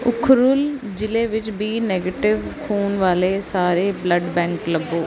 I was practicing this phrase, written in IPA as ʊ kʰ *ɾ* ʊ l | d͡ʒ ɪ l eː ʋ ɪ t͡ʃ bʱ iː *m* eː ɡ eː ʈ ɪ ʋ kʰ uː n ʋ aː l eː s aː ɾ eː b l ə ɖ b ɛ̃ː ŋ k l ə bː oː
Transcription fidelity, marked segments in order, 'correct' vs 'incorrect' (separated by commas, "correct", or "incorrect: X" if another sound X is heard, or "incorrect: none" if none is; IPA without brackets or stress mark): correct, incorrect: n